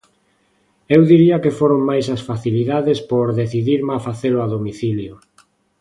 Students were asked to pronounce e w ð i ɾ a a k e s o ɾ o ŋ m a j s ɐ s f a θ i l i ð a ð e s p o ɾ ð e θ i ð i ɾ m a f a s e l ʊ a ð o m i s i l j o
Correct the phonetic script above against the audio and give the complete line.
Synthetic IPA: e w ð i ɾ i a k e f o ɾ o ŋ m a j s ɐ s f a θ i l i ð a ð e s p o ɾ ð e θ i ð i ɾ m a f a θ e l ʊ a ð o m i θ i l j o